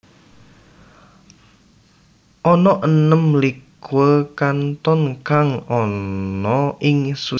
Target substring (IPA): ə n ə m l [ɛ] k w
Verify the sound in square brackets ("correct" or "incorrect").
incorrect